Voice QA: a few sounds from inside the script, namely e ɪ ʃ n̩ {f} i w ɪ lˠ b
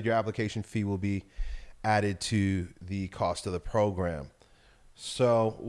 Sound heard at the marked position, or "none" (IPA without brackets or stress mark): f